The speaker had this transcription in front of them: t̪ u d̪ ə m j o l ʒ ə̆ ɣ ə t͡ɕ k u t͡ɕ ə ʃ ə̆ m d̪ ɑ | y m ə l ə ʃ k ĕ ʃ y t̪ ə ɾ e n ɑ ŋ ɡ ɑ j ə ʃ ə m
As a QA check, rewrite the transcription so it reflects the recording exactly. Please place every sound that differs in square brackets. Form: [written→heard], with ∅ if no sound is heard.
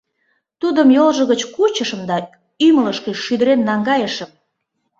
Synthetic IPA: t̪ u d̪ ə m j o l ʒ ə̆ ɣ ə t͡ɕ k u t͡ɕ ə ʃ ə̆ m d̪ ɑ | y m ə l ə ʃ k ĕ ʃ y [t̪→d̪] ə ɾ e [n→nː] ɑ ŋ ɡ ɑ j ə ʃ ə m